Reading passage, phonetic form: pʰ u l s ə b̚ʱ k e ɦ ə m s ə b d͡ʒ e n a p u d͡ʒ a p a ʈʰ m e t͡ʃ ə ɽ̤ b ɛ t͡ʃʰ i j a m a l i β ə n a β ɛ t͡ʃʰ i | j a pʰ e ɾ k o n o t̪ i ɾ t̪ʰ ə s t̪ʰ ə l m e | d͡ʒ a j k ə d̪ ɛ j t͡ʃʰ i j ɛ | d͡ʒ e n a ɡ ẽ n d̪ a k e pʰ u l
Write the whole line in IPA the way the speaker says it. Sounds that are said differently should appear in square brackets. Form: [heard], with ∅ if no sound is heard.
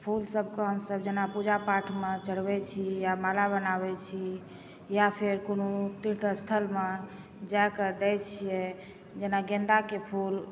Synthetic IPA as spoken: pʰ u l s ə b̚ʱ k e ɦ ə m s ə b d͡ʒ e n a p u d͡ʒ a p a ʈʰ m e t͡ʃ ə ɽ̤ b ɛ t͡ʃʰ i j a m a l [a] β ə n a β ɛ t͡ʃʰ i | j a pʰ e ɾ k o n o t̪ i ɾ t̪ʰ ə s t̪ʰ ə l m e | d͡ʒ a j k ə d̪ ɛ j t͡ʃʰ i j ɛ | d͡ʒ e n a ɡ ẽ n d̪ a k e pʰ u l

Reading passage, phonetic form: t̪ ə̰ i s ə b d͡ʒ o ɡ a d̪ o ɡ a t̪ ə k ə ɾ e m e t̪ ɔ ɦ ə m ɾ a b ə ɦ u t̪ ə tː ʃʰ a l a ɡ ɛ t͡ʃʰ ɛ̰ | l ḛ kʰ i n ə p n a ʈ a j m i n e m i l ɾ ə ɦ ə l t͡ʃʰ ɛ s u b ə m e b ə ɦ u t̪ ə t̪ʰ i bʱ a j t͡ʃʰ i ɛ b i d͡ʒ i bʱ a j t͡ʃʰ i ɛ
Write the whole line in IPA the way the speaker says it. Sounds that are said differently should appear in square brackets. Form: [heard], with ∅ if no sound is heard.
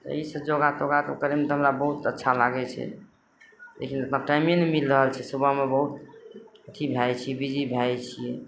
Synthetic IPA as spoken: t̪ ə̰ i s ə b d͡ʒ o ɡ a [t̪] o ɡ a t̪ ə k ə ɾ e m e t̪ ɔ ɦ ə m ɾ a b ə ɦ u t̪ ə tː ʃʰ a l a ɡ ɛ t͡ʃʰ ɛ̰ | l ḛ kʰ i n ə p n a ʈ a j m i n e m i l ɾ ə ɦ ə l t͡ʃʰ ɛ s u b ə m e b ə ɦ u t̪ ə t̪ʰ i bʱ a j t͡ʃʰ i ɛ b i d͡ʒ i bʱ a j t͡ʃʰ i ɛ

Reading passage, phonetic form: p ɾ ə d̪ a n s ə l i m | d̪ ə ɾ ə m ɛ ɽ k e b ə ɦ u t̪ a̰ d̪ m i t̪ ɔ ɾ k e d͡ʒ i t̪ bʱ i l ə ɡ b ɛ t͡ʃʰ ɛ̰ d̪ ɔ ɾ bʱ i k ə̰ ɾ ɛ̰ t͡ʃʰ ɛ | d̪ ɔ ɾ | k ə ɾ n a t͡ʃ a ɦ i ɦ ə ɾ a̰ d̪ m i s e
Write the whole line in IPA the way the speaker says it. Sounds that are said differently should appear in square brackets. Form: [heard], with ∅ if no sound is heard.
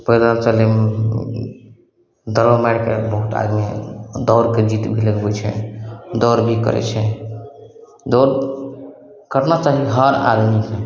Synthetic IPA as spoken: p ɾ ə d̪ a n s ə l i m | d̪ ə ɾ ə m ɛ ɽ k e b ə ɦ u t̪ a̰ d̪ m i [d̪] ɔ ɾ k e d͡ʒ i t̪ bʱ i l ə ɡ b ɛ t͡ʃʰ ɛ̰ d̪ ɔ ɾ bʱ i k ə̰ ɾ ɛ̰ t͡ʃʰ ɛ | d̪ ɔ ɾ | k ə ɾ n a t͡ʃ a ɦ i ɦ ə ɾ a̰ d̪ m i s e

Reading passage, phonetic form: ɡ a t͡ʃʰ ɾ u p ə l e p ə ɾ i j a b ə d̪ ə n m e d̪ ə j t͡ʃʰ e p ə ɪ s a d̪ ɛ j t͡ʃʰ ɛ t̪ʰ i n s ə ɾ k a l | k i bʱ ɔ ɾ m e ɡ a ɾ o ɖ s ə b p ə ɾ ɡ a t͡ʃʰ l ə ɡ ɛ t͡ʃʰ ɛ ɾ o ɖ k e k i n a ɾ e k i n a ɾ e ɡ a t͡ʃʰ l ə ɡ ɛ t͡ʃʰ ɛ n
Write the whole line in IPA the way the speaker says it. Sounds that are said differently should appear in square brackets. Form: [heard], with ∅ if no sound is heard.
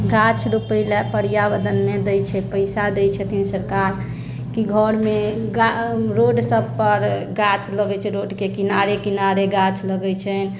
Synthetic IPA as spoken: ɡ a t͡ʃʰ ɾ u p ə l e p ə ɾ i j a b ə d̪ ə n m e d̪ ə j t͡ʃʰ [ɛ] p ə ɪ s a d̪ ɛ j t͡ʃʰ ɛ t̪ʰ i n s ə ɾ k a [ɾ] | k i [ɡʱ] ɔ ɾ m e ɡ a ɾ o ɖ s ə b p ə ɾ ɡ a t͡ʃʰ l ə ɡ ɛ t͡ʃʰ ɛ ɾ o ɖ k e k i n a ɾ e k i n a ɾ e ɡ a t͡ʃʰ l ə ɡ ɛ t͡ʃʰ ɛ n

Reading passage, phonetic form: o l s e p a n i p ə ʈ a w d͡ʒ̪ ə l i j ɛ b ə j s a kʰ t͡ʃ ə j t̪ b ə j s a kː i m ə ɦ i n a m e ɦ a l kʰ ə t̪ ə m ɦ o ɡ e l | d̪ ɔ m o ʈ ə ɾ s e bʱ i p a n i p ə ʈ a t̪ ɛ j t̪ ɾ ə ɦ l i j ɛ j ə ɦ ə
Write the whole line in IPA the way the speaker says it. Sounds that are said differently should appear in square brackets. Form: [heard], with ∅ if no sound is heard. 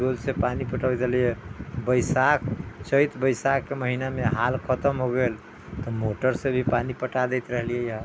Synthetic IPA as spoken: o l s e p a n i p ə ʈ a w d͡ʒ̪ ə l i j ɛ b ə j s a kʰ t͡ʃ ə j t̪ b ə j s a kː [e] m ə ɦ i n a m e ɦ a l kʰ ə t̪ ə m ɦ o ɡ e l | [t̪] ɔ m o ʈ ə ɾ s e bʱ i p a n i p ə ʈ a [d̪] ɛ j t̪ ɾ ə ɦ l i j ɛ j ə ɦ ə

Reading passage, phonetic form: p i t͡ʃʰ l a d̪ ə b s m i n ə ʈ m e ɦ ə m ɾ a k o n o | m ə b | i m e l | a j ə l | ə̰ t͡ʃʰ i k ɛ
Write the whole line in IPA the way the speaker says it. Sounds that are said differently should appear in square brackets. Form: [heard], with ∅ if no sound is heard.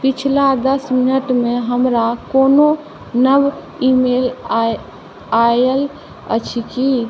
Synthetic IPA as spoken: p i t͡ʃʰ l a d̪ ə [∅] s m i n ə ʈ m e ɦ ə m ɾ a k o n o | [n] ə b | i m e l | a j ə l | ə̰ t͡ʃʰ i k [i]

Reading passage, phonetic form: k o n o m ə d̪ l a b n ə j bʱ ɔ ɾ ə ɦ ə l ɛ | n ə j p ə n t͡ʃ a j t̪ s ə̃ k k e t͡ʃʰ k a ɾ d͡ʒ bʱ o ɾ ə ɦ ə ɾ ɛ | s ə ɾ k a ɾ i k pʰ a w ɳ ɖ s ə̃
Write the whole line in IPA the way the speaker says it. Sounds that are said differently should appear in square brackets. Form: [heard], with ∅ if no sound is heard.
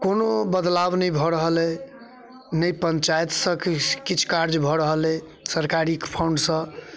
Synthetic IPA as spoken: k o n o [b] ə d̪ l a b n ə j bʱ ɔ ɾ ə ɦ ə l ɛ | n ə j p ə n t͡ʃ a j t̪ s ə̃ k k [i] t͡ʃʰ k a ɾ d͡ʒ bʱ [ɔ] ɾ ə ɦ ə [l] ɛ | s ə ɾ k a ɾ i k pʰ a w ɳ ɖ s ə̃

